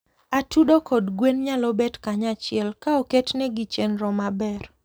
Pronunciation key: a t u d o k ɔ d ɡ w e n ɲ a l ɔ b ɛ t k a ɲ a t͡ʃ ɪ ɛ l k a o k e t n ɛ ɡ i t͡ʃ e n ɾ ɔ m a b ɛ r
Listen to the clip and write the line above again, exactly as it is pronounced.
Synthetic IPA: a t u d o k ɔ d ɡ w e n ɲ a l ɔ b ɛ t k a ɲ a t͡ʃ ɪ ɛ l k a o k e t n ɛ ɡ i t͡ʃ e n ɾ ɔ m a b ɛ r

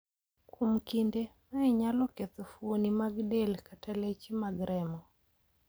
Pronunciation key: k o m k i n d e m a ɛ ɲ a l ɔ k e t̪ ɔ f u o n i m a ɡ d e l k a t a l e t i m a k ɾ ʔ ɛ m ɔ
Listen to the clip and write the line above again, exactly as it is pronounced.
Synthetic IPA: k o m k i n d e m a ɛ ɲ a l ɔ k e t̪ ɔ f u o n i m a ɡ d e l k a t a l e t͡ʃ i m a ɡ ɾ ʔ ɛ m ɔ

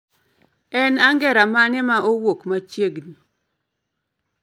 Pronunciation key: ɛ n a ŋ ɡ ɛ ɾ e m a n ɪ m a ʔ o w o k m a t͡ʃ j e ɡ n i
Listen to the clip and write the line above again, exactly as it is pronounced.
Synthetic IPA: ɛ n a ŋ ɡ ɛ ɾ a m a n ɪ m a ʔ o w o k m a t͡ʃ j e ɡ n i

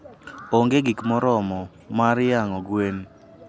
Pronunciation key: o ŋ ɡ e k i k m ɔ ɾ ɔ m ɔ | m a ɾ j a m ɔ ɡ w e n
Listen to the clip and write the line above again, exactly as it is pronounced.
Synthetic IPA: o ŋ ɡ e ɡ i k m ɔ ɾ ɔ m ɔ | m a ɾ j a ŋ ɔ ɡ w e n

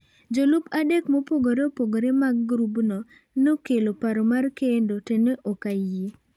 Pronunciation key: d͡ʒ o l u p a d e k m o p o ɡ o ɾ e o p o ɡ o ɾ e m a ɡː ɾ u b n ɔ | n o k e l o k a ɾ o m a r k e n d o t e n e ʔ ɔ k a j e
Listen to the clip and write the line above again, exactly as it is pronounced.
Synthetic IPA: d͡ʒ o l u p a d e k m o p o ɡ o ɾ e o p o ɡ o ɾ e m a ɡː ɾ u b n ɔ | n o k e l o p a ɾ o m a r k e n d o t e n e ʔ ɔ k a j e

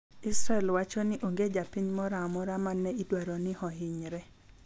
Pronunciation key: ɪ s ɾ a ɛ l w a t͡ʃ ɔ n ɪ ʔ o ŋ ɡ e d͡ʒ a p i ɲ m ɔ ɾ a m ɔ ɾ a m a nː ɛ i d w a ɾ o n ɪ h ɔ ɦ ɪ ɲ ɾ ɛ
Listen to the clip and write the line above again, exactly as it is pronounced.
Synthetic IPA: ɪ s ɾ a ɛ l w a t͡ʃ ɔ n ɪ ʔ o ŋ ɡ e d͡ʒ a p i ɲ m ɔ ɾ a m ɔ ɾ a m a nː ɛ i d w a ɾ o n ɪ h ɔ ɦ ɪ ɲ ɾ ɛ

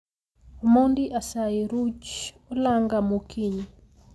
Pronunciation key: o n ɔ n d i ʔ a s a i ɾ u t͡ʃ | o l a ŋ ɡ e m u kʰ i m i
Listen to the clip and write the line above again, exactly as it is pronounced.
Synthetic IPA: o m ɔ n d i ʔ a s a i ɾ u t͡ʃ | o l a ŋ ɡ a m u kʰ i ɲ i

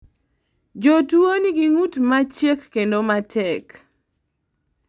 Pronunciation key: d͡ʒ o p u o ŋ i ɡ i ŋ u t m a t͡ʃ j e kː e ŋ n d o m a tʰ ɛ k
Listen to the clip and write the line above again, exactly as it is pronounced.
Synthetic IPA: d͡ʒ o t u o n i ɡ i ŋ u t m a t͡ʃ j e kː e n d o m a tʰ ɛ k

